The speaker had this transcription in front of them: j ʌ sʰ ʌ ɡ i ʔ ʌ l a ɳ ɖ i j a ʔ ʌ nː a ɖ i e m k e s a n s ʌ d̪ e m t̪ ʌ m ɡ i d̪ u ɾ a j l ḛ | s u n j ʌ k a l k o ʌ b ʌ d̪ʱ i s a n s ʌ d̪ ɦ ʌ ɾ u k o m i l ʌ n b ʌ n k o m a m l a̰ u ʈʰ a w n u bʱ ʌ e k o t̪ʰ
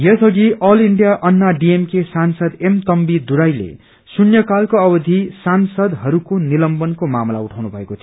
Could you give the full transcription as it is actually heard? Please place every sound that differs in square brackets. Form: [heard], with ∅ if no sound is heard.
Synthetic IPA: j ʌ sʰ ʌ ɡ i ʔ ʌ l [i] ɳ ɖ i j a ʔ ʌ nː a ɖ i e m k e s a n s ʌ d̪ e m t̪ ʌ m [b] i d̪ u ɾ a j l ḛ | s u n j ʌ k a l k o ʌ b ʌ d̪ʱ i s a n s ʌ d̪ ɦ ʌ ɾ u k o [n] i l ʌ [m] b ʌ n k o m a m l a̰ u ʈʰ a w n u bʱ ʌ e k o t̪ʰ